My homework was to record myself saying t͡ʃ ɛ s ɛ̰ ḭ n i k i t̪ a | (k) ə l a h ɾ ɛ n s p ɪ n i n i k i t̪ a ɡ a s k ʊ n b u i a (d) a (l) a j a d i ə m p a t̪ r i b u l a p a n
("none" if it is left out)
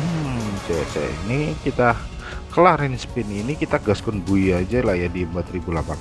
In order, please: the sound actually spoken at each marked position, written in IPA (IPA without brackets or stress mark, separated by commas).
k, d͡ʒ, l